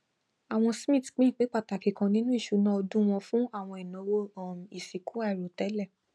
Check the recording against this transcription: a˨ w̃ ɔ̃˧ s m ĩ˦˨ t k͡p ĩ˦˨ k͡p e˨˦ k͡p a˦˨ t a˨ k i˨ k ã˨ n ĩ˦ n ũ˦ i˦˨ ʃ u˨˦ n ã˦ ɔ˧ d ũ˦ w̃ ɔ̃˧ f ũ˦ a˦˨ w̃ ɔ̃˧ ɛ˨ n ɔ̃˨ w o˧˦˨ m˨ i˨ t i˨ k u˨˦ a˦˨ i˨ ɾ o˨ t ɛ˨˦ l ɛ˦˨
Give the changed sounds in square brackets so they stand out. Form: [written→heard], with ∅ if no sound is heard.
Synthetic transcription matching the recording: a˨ w̃ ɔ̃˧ s m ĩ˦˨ t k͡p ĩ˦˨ k͡p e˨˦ k͡p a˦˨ t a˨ k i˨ k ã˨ n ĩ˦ n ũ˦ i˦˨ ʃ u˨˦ n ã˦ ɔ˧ d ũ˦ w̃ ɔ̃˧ f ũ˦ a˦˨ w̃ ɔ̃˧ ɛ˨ n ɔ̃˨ w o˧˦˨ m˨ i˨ [t→s] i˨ k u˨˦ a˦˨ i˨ ɾ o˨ t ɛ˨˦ l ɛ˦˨